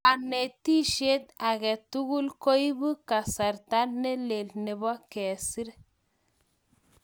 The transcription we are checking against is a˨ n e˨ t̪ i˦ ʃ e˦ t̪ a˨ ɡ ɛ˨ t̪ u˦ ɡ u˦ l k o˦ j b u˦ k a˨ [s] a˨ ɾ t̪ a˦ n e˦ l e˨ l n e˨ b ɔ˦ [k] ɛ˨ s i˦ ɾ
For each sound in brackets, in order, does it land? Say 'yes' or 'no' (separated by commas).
yes, yes